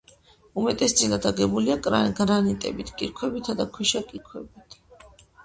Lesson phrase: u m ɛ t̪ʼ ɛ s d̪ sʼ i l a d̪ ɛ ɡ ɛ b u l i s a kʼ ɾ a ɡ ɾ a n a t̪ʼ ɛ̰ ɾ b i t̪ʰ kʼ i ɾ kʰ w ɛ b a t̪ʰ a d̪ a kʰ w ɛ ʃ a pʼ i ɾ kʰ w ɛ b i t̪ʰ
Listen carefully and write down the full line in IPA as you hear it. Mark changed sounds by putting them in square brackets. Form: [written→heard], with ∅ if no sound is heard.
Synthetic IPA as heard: u m ɛ t̪ʼ ɛ s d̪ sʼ i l a d̪ [ɛ→a] ɡ ɛ b u l i [s→∅] a kʼ ɾ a ɡ ɾ a n [a→i] t̪ʼ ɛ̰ [ɾ→∅] b i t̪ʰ kʼ i ɾ kʰ w ɛ b [a→i] t̪ʰ a d̪ a kʰ w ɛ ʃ a [pʼ→kʼ] i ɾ kʰ w ɛ b i t̪ʰ